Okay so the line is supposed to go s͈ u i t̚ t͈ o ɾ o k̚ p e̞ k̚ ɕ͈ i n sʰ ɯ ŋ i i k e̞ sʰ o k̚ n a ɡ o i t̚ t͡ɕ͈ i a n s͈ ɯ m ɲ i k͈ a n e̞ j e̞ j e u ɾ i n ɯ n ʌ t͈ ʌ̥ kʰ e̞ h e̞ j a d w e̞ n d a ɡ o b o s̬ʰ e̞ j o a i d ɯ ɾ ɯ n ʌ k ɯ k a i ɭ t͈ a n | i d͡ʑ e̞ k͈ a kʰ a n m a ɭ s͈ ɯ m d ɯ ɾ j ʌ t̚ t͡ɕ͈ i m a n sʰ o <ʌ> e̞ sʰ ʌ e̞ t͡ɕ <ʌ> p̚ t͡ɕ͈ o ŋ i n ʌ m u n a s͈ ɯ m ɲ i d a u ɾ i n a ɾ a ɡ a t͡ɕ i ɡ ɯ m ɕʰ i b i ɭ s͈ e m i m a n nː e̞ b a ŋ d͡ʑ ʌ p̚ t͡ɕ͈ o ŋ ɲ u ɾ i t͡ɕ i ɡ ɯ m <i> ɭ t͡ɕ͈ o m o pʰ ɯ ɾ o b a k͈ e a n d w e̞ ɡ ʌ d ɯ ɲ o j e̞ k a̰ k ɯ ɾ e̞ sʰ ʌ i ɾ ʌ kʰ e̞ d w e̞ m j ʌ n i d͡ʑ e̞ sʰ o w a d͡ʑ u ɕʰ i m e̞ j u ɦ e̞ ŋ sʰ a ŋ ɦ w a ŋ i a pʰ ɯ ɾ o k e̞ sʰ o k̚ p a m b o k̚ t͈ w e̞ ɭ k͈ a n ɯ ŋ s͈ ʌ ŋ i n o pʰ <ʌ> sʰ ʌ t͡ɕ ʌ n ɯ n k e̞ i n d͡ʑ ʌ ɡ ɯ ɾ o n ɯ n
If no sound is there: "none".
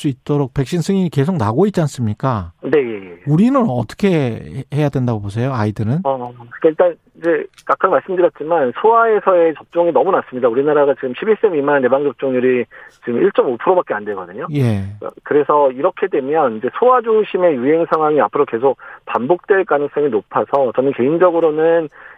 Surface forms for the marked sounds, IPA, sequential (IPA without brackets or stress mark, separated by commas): a, ʌ, i, a